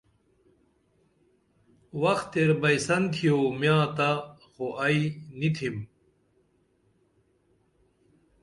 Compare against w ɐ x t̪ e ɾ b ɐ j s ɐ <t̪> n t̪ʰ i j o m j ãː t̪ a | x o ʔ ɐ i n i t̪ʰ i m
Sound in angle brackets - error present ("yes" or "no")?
yes